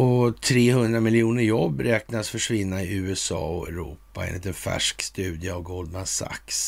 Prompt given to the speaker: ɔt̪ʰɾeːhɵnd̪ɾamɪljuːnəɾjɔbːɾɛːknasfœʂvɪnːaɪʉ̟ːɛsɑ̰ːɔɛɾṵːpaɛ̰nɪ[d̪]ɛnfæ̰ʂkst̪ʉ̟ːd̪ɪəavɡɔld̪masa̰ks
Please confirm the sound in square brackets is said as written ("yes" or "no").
no